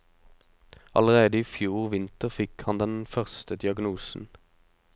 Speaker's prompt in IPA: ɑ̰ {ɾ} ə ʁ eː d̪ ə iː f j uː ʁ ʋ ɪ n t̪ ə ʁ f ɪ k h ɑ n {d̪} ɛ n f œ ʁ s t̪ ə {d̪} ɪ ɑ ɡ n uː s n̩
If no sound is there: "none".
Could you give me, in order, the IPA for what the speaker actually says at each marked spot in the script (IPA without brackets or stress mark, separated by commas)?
l, d̪, d̪